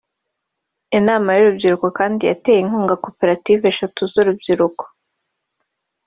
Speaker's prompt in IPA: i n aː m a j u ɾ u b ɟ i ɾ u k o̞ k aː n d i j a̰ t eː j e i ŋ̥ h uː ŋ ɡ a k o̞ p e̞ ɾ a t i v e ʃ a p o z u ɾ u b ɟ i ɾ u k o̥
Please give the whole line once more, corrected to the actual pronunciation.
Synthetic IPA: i n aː m a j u ɾ u b ɟ i ɾ u k o̞ k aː n d i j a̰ t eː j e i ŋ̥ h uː ŋ ɡ a k o̞ p e̞ ɾ a t i v e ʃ a t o z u ɾ u b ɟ i ɾ u k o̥